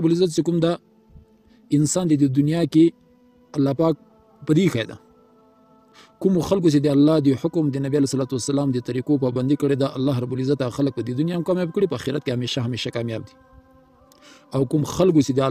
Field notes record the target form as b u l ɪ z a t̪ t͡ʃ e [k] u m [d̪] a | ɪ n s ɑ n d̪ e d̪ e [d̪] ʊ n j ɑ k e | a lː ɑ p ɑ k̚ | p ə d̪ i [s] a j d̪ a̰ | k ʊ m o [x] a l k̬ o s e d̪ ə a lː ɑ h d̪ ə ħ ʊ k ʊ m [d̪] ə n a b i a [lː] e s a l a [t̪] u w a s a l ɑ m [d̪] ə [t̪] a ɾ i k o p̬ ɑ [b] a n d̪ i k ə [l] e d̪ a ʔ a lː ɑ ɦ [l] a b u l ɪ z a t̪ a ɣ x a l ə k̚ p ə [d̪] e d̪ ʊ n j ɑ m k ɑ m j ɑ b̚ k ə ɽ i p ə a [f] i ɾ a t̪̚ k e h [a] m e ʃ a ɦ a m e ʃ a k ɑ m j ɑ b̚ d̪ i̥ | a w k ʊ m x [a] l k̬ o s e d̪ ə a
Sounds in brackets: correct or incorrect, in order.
correct, correct, correct, incorrect: x, correct, correct, incorrect: l, correct, correct, correct, correct, incorrect: ɽ, incorrect: ɾ, correct, incorrect: x, correct, correct

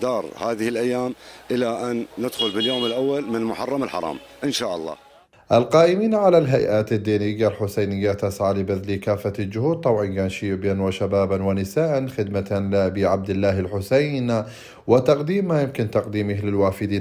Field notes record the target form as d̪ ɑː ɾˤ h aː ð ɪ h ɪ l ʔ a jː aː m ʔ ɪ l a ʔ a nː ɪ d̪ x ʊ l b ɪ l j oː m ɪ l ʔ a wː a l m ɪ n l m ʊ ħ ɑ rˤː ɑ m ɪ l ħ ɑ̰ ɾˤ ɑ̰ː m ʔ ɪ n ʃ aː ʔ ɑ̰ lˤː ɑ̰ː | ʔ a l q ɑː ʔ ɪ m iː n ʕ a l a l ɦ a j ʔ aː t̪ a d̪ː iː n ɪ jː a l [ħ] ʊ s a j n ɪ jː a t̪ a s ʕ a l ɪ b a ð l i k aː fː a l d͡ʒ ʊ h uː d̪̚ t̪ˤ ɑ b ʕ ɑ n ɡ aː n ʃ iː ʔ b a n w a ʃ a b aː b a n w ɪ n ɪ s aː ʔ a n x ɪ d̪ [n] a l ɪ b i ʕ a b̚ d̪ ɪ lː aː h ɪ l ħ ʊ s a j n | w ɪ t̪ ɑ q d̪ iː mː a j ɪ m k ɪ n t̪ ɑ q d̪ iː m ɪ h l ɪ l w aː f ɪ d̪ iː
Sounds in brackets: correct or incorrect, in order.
correct, incorrect: m

